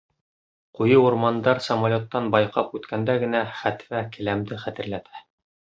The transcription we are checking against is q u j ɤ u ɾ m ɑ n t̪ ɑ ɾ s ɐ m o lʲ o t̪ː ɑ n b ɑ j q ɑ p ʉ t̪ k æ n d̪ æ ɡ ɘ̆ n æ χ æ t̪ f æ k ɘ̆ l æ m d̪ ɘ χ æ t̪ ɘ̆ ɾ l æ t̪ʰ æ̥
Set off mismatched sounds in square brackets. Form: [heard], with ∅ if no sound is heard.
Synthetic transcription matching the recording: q u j ɤ u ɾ m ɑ n [d̪] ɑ ɾ s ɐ m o lʲ o t̪ː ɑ n b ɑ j q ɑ p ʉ t̪ k æ n d̪ æ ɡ ɘ̆ n æ χ æ t̪ f æ k ɘ̆ l æ m d̪ ɘ χ æ t̪ ɘ̆ ɾ l æ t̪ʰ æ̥